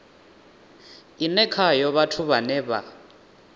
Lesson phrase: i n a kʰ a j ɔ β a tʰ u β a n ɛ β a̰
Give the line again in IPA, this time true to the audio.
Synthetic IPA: i n ɛ kʰ a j ɔ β a tʰ u β a n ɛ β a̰